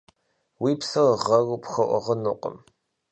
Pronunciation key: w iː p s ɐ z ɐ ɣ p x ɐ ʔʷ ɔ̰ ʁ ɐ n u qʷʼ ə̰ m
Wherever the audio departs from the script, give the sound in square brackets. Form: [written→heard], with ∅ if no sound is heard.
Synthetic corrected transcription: w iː p s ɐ [z→ʁ] ɐ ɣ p x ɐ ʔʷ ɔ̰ ʁ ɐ n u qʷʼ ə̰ m